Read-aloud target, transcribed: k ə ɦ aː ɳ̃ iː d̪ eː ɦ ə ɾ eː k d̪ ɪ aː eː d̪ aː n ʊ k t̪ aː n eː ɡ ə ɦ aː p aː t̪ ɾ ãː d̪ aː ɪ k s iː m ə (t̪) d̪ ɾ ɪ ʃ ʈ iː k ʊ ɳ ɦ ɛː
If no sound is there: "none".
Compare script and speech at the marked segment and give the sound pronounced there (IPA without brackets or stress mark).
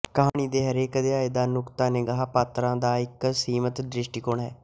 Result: t̪